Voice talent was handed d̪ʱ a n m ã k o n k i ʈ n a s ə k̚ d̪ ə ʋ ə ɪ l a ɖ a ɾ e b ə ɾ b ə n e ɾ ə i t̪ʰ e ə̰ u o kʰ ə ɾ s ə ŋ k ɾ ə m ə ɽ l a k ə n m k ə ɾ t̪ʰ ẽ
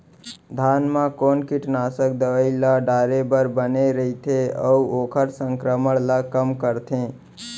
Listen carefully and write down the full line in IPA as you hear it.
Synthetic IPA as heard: d̪ʱ a n m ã k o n k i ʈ n a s ə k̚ d̪ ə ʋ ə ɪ l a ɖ a ɾ e b ə ɾ b ə n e ɾ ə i t̪ʰ e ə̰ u o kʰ ə ɾ s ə ŋ k ɾ ə m ə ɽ l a k ə m k ə ɾ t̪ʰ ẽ

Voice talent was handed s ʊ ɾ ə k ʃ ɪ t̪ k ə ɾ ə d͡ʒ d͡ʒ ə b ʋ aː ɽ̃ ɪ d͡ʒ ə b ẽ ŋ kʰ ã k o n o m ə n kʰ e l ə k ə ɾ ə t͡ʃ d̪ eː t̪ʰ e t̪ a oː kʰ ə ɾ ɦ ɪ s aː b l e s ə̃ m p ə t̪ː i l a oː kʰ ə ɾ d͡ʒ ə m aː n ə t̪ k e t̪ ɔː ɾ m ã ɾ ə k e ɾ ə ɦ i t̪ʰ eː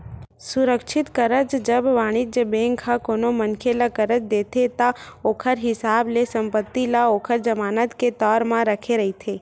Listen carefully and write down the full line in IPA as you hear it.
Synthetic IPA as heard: s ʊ ɾ ə k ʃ ɪ t̪ k ə ɾ ə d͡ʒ d͡ʒ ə b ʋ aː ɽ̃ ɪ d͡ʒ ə b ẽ ŋ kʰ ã k o n o m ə n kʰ e l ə k ə ɾ ə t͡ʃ d̪ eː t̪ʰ e t̪ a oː kʰ ə ɾ ɦ ɪ s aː b l e s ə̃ m p ə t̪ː i l a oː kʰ ə ɾ d͡ʒ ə m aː n ə t̪ k e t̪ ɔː ɾ m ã ɾ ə kʰ e ɾ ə ɦ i t̪ʰ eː

